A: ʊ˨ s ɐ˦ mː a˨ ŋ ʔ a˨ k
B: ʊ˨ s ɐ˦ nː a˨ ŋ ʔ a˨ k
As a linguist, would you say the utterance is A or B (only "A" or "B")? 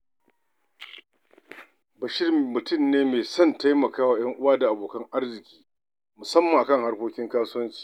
A